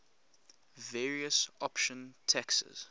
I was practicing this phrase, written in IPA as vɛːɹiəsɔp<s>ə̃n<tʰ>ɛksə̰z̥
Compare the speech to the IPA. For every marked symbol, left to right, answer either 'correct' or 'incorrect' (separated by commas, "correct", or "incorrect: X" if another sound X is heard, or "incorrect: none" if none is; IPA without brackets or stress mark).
incorrect: ʃ, correct